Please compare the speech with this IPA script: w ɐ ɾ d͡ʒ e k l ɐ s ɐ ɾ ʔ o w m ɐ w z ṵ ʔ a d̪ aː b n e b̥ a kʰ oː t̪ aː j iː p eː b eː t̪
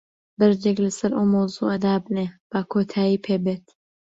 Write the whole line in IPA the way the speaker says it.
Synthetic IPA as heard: b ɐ ɾ d͡ʒ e k l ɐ s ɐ ɾ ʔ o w m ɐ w z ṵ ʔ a d̪ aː b n e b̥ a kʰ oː t̪ʰ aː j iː pʰ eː b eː t̪